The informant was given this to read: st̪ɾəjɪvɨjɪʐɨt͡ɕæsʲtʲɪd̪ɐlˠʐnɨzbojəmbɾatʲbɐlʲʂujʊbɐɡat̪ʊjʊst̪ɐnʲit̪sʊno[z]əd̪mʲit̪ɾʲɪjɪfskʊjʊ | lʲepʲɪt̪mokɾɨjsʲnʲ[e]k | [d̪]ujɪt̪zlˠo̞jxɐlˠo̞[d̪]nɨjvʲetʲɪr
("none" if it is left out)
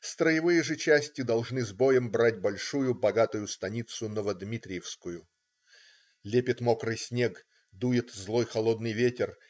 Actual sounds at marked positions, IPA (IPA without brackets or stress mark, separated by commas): v, e, d̪, d̪